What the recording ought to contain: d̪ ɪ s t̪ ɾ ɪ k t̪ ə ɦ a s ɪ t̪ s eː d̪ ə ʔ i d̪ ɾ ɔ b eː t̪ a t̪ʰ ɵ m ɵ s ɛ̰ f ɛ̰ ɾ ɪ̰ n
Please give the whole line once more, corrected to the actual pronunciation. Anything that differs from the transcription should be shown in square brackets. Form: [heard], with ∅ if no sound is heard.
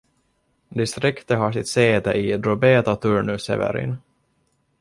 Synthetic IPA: d̪ ɪ s t̪ ɾ ɪ k t̪ ə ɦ a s ɪ t̪ s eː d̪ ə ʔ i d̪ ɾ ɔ b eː t̪ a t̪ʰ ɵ [ɳ] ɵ s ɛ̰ [v] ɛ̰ ɾ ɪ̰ n

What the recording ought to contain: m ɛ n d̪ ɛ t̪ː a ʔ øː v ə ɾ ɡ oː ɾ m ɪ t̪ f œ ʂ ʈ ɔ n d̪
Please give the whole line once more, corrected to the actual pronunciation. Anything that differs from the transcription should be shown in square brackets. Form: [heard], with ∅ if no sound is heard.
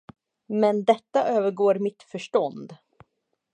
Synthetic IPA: m ɛ n d̪ ɛ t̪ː a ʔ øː v ə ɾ ɡ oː ɾ m ɪ t̪ f œ ʂ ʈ ɔ n d̪

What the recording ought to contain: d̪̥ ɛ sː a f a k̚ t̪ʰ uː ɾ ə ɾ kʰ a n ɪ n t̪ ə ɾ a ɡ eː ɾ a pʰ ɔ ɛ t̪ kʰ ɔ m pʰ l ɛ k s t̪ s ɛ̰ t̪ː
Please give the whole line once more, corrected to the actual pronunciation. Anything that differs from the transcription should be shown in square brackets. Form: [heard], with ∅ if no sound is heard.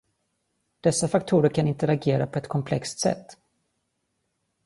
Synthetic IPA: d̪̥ ɛ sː a f a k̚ t̪ʰ uː ɾ ə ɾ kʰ a n ɪ n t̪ ə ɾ a ɡ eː ɾ a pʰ ɔ ɛ t̪ kʰ ɔ m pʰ l ɛ k s t̪ s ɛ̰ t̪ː

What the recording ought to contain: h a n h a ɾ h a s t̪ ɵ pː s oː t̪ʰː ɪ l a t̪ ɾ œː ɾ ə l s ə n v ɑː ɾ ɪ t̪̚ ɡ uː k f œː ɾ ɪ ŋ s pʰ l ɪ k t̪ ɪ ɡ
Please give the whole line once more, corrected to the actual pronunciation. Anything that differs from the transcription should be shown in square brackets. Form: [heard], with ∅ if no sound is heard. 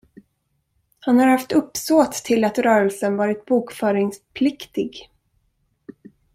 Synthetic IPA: h a n h a ɾ h a [f] t̪ ɵ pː s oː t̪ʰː ɪ l a t̪ ɾ œː ɾ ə l s ə n v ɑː ɾ ɪ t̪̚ [b] uː k f œː ɾ ɪ ŋ s pʰ l ɪ k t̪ ɪ ɡ

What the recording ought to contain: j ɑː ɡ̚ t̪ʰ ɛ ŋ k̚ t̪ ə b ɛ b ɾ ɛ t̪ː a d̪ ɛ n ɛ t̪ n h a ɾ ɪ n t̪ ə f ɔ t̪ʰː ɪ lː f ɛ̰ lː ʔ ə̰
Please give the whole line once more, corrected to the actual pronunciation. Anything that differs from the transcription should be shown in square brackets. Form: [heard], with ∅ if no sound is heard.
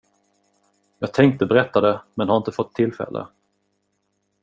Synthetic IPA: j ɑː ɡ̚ t̪ʰ ɛ ŋ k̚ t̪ ə b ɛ [∅] ɾ ɛ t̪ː a d̪ ɛ [m] ɛ [∅] n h a ɾ ɪ n t̪ ə f ɔ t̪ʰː ɪ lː f ɛ̰ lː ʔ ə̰

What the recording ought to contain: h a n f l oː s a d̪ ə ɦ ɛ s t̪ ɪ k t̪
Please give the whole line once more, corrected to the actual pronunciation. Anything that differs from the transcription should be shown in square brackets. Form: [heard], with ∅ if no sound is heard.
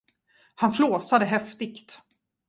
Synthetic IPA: h a n f l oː s a d̪ ə ɦ ɛ [f] t̪ ɪ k t̪

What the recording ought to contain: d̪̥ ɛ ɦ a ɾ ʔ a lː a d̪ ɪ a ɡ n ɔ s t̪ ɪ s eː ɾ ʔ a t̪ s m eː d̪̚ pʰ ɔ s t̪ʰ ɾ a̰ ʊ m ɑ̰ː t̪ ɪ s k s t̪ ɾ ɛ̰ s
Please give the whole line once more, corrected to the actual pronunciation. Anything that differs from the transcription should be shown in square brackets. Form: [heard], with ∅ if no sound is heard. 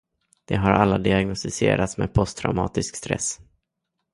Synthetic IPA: d̪̥ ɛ ɦ a ɾ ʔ a lː a d̪ ɪ a ɡ n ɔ s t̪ ɪ s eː ɾ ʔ a t̪ s m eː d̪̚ pʰ ɔ s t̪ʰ ɾ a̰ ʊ m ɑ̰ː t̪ ɪ s k s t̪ ɾ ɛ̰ s

